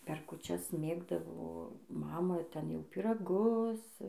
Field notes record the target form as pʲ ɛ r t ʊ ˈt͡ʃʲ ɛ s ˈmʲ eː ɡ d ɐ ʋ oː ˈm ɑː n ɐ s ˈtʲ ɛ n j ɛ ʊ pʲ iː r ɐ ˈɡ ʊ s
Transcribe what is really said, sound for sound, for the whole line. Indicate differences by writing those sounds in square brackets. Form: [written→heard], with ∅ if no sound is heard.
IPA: pʲ ɛ r [t→k] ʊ ˈt͡ʃʲ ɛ s ˈmʲ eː ɡ d ɐ ʋ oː ˈm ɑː [n→m] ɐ [s→∅] ˈtʲ ɛ n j ɛ ʊ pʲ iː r ɐ ˈɡ ʊ s